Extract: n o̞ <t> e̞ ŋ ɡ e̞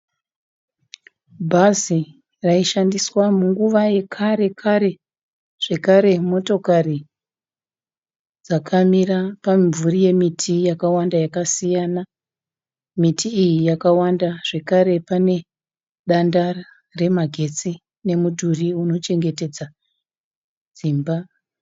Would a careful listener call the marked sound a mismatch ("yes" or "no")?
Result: yes